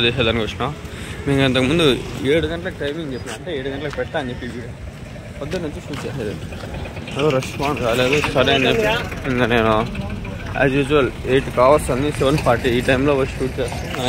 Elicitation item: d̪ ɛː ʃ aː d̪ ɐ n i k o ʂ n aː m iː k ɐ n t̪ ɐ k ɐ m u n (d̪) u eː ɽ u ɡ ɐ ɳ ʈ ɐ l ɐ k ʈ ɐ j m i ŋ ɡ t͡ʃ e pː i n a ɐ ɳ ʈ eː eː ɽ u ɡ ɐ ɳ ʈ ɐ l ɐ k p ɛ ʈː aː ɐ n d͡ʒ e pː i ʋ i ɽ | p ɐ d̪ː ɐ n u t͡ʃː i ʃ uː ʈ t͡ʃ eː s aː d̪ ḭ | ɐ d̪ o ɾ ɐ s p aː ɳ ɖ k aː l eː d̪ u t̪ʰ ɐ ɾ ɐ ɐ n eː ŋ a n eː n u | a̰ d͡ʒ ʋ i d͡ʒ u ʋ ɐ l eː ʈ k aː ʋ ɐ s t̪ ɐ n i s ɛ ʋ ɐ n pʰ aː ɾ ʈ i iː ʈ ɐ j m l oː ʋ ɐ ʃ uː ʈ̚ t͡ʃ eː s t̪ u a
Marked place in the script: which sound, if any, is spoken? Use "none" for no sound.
d̪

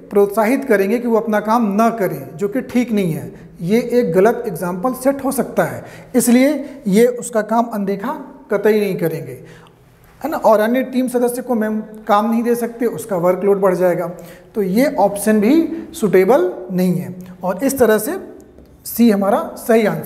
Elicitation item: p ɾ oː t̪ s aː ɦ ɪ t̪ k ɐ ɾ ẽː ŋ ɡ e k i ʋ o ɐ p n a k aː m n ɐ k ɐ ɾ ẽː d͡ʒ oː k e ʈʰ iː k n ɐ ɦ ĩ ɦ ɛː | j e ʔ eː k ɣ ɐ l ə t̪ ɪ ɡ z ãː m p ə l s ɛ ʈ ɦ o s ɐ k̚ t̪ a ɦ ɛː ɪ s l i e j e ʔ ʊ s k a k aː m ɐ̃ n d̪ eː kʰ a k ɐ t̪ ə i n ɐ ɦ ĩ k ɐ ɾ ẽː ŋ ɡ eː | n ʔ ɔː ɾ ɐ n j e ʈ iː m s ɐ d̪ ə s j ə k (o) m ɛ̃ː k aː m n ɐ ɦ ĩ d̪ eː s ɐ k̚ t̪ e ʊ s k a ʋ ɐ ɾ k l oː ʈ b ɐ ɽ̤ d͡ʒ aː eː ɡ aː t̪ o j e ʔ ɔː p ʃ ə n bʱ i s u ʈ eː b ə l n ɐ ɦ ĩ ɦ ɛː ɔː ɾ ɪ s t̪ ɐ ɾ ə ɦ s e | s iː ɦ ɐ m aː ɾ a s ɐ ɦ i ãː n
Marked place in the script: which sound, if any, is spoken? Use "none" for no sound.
o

